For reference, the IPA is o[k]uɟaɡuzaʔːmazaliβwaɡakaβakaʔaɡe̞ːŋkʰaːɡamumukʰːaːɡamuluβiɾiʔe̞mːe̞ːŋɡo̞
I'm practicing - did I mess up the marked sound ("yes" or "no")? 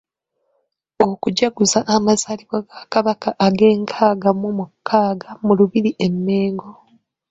no